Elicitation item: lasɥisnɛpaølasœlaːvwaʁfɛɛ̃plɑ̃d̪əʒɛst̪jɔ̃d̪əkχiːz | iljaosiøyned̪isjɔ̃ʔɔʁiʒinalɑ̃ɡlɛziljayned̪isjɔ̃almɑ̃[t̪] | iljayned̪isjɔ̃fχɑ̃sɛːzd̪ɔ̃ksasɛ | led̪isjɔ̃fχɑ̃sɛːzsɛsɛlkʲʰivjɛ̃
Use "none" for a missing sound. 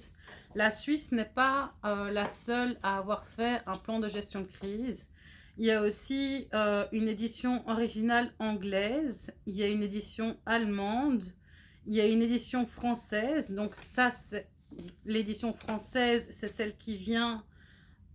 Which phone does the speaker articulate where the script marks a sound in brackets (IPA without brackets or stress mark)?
d̪